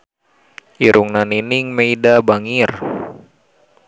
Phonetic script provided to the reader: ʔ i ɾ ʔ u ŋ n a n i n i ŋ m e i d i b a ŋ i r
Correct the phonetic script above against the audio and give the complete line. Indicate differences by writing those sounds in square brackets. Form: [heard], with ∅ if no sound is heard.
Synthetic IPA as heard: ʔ i ɾ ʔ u ŋ n a n i n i ŋ m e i d [a] b a ŋ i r